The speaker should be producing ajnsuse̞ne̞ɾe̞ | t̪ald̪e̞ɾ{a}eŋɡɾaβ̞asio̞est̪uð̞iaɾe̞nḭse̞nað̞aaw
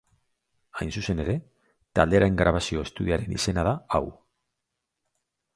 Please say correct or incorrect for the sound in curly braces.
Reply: correct